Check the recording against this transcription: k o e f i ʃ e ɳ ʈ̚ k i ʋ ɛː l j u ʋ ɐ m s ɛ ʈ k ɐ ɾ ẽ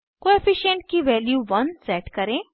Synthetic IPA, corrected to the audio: k o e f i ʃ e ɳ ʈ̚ k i ʋ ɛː l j u ʋ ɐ n s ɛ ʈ k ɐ ɾ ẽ